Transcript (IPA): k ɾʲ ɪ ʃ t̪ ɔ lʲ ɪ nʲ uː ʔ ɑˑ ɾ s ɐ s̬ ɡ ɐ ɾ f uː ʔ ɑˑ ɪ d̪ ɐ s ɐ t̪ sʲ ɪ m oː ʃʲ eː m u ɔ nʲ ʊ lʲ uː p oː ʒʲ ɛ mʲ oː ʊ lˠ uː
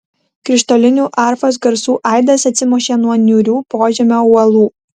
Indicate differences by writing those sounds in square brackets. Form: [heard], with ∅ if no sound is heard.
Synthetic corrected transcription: k ɾʲ ɪ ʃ t̪ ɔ lʲ ɪ nʲ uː ʔ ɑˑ ɾ [f] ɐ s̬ ɡ ɐ ɾ [s] uː ʔ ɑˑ ɪ d̪ ɐ s ɐ t̪ sʲ ɪ m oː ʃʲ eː [n] u ɔ nʲ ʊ [ɾʲ] uː p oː ʒʲ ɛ mʲ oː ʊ lˠ uː